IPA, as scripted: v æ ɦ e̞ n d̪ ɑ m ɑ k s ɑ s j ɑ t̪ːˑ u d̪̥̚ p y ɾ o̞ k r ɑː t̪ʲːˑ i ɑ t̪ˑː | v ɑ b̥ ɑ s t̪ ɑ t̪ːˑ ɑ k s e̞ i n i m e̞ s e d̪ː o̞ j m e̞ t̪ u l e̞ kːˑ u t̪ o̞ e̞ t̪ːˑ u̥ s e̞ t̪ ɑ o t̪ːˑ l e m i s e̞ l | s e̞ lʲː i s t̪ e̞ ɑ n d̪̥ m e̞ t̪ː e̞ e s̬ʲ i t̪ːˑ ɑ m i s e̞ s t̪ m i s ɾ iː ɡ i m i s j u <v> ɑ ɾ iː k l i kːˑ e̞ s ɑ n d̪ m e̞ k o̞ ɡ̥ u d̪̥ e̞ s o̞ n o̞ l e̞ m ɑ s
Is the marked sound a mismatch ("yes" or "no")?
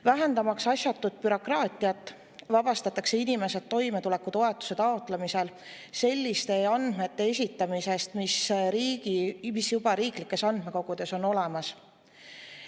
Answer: yes